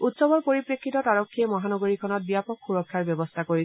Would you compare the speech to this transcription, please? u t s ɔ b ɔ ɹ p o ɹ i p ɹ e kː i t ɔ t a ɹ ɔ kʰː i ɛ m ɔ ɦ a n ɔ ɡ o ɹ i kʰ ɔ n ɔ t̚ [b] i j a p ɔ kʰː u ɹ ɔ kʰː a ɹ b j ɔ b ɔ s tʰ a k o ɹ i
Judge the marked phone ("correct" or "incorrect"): correct